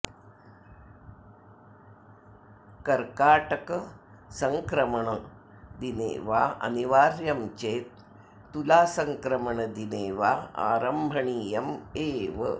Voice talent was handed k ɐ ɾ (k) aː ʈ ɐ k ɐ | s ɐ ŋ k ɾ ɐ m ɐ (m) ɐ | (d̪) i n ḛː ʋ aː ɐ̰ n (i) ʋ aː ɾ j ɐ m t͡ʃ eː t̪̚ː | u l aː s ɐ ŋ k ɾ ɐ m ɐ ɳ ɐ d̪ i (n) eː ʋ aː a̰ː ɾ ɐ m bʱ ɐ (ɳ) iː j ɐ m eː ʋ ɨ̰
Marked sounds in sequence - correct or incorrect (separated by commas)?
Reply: correct, incorrect, correct, correct, correct, correct